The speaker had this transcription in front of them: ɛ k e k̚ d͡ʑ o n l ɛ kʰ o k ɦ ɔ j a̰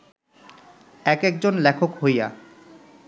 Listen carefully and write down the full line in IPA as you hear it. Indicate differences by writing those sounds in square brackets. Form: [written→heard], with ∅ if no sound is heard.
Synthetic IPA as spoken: ɛ k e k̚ d͡ʑ o n l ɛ kʰ o k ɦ [ɔ→o] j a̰